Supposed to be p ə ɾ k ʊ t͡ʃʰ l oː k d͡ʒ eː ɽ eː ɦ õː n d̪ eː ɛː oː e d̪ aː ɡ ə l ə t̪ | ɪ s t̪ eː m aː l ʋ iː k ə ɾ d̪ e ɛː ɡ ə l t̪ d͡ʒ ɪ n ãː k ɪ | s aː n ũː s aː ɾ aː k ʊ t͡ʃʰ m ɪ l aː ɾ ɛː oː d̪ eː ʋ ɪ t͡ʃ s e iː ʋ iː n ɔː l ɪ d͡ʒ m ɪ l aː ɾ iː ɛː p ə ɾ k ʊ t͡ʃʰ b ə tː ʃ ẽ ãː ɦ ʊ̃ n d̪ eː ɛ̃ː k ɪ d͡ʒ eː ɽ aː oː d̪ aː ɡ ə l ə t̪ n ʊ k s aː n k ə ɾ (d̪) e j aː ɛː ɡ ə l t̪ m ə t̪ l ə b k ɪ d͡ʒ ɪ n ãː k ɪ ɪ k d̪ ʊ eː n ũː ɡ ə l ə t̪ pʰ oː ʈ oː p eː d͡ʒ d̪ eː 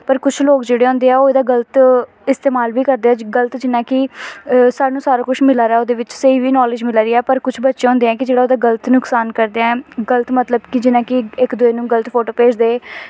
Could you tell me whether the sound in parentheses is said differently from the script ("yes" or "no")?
no